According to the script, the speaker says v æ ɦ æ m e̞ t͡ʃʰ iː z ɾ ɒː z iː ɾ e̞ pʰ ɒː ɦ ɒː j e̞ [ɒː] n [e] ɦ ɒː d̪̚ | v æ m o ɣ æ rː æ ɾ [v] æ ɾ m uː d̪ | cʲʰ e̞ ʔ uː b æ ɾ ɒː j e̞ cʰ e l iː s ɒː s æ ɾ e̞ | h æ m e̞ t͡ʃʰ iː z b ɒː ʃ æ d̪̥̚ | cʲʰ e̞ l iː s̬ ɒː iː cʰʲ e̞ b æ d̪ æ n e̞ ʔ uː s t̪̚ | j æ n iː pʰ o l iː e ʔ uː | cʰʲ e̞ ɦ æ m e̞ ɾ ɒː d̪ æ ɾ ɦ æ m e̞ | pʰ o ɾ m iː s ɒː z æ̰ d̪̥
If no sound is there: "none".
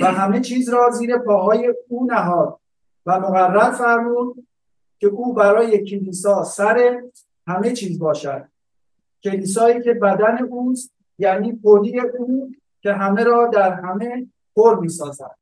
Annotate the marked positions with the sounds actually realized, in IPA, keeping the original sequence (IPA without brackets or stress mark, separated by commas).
uː, æ, f